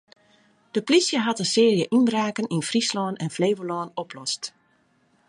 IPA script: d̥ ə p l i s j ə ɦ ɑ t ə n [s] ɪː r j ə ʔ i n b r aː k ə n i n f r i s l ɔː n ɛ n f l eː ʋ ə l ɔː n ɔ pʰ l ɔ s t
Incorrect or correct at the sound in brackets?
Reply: correct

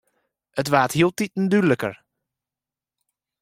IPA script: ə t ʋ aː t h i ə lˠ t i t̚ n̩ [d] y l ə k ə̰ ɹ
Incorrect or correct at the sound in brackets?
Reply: correct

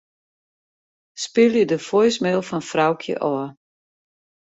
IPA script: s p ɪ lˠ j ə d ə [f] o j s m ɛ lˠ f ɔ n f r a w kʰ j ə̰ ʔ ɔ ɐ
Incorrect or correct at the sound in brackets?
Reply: correct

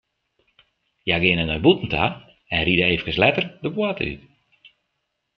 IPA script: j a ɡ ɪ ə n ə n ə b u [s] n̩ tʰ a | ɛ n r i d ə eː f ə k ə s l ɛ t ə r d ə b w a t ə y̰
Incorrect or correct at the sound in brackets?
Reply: incorrect: t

